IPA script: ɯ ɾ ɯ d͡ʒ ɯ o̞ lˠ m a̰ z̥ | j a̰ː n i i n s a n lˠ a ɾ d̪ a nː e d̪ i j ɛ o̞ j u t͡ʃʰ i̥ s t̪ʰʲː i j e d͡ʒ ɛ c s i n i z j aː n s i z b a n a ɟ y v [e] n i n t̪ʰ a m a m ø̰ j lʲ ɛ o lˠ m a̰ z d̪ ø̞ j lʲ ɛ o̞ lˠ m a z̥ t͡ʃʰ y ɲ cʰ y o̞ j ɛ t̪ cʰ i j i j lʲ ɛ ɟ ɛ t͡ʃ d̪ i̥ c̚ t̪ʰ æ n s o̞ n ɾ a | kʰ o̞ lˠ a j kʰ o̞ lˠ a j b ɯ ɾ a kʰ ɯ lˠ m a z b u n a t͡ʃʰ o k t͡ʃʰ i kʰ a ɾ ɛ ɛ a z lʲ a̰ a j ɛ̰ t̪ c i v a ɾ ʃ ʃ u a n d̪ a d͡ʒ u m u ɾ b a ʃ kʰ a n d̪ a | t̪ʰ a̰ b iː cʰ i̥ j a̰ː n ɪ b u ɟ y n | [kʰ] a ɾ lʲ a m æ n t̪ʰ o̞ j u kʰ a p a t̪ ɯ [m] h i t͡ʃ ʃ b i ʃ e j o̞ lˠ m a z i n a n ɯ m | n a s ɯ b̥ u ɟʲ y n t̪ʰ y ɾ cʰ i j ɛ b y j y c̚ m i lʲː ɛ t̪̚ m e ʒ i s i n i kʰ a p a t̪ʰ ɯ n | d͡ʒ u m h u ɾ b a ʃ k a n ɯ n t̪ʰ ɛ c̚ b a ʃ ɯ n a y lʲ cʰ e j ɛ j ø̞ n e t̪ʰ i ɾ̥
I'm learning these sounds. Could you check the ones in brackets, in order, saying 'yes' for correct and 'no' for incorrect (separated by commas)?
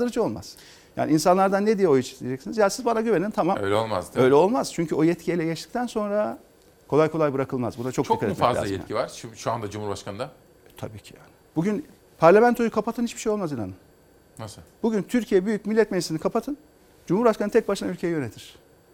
yes, no, no